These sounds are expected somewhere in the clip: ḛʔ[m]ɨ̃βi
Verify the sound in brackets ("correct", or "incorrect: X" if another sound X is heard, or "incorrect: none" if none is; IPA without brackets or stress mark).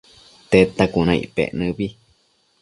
incorrect: n